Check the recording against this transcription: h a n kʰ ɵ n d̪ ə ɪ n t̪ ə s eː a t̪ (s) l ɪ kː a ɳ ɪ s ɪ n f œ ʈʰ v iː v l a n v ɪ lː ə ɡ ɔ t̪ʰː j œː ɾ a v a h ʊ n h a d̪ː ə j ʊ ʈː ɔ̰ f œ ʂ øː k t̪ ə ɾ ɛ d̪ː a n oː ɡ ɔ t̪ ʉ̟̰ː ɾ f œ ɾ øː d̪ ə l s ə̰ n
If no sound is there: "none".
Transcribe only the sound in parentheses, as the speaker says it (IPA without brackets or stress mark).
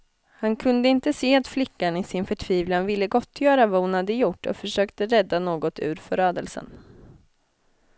f